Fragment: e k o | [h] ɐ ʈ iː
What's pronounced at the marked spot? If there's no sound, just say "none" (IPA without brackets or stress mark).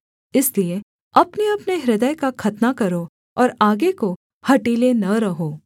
h